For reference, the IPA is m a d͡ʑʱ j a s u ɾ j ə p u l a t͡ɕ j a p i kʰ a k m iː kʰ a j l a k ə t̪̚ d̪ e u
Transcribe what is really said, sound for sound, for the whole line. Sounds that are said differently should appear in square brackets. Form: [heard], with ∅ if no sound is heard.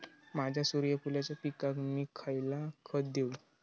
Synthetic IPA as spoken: m a d͡ʑʱ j a s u ɾ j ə p u l a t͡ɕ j a p i [k] a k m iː kʰ a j l a [kʰ] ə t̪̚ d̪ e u